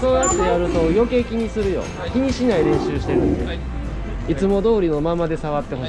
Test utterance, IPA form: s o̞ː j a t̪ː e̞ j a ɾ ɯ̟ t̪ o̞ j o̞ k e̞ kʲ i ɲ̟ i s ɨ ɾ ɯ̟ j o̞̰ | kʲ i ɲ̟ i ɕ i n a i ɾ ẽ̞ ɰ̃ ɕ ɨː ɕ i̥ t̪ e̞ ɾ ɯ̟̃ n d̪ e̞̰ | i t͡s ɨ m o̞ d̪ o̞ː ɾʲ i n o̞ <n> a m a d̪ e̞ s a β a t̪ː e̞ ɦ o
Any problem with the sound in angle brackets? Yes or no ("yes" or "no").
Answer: yes